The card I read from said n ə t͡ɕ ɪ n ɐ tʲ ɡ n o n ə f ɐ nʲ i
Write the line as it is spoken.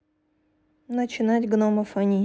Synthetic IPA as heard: n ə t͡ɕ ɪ n a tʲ ɡ n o m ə f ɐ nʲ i